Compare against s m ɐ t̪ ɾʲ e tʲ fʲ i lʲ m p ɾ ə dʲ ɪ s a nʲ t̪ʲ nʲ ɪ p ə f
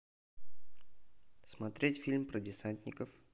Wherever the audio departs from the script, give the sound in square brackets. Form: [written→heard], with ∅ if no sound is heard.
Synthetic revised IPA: s m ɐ t̪ ɾʲ e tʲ fʲ i lʲ m p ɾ ə dʲ ɪ s a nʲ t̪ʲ nʲ ɪ [p→k] ə f

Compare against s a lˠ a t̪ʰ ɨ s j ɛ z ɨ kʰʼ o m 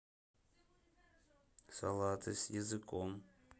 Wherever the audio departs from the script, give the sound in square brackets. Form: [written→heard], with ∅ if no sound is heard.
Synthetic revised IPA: s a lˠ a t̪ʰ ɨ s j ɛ z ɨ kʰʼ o m

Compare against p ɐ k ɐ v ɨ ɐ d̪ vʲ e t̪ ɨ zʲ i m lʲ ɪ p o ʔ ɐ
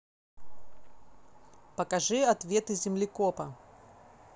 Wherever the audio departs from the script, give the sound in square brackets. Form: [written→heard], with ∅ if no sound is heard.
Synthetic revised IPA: p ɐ k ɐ [v→ʐ] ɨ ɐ [d̪→t̪] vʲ e t̪ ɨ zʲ [i→ɪ] m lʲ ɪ [p→k] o [ʔ→p] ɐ

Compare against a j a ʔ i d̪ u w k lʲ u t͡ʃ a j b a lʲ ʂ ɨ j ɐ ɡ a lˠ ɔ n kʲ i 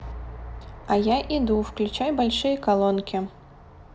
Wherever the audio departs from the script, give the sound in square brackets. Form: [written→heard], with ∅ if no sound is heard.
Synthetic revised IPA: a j a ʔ i d̪ u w k lʲ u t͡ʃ a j b a lʲ ʂ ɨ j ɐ [ɡ→k] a lˠ ɔ n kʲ i

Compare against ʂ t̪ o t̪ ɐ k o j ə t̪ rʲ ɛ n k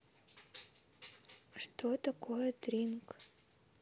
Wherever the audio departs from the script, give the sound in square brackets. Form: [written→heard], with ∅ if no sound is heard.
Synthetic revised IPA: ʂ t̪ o t̪ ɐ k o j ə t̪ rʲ [ɛ→i] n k

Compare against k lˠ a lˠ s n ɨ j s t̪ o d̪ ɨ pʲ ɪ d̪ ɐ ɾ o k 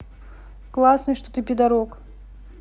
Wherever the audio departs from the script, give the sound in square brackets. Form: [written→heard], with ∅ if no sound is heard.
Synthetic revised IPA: k lˠ a [lˠ→∅] s n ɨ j [s→ʂ] t̪ o [d̪→t̪] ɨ pʲ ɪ d̪ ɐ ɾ o k

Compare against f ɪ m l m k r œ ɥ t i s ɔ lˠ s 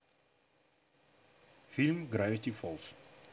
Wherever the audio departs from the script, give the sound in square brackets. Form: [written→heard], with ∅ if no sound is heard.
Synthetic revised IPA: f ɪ [m→∅] l m [k→ɡ] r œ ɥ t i [s→f] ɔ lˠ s

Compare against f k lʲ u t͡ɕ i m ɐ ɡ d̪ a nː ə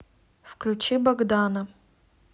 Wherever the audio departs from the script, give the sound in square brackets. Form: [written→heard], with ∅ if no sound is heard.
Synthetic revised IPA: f k lʲ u t͡ɕ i [m→b] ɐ ɡ d̪ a [nː→n] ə

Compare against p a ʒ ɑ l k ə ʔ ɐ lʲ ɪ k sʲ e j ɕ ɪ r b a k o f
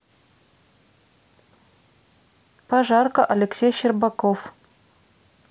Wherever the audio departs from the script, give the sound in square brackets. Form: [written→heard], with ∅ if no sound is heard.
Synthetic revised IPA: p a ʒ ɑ [l→r] k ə ʔ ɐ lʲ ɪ k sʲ e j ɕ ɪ r b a k o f

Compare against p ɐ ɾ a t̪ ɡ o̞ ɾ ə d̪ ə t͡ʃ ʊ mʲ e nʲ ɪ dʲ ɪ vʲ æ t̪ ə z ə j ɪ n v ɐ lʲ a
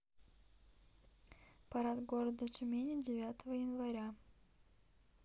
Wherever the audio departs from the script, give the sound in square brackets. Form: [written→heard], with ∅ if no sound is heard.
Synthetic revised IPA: p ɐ ɾ a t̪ ɡ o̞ ɾ ə d̪ ə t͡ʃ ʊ mʲ e nʲ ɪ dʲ ɪ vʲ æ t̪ ə [z→v] ə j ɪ n v ɐ [lʲ→ɾʲ] a

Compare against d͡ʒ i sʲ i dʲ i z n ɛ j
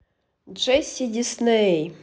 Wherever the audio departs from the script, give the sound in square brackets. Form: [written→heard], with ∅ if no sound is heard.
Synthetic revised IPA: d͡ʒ [i→ɛ] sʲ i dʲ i [z→s] n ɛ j

